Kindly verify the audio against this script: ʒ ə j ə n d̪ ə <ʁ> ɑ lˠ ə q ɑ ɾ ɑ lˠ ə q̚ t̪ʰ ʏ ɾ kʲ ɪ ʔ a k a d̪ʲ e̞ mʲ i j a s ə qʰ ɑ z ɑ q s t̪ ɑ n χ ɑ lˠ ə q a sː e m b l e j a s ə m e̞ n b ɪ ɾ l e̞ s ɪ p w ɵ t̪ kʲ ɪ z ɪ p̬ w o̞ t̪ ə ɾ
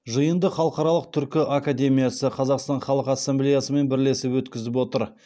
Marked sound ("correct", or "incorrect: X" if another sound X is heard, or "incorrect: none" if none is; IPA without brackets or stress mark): incorrect: χ